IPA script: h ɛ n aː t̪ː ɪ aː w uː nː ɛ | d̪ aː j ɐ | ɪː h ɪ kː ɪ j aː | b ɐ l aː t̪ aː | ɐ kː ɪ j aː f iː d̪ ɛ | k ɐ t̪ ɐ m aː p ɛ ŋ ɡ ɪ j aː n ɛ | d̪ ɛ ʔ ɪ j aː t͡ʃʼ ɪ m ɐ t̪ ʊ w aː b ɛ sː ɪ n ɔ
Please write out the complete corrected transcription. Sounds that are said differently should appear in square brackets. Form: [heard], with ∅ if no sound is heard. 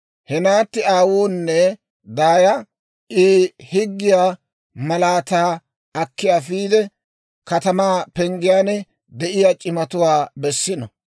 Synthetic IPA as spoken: h ɛ n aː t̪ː ɪ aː w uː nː ɛ | d̪ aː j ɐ | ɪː h ɪ [ɡː] ɪ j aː | [m] ɐ l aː t̪ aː | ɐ kː ɪ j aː f iː d̪ ɛ | k ɐ t̪ ɐ m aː p ɛ ŋ ɡ ɪ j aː n ɛ | d̪ ɛ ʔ ɪ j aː t͡ʃʼ ɪ m ɐ t̪ ʊ w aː b ɛ sː ɪ n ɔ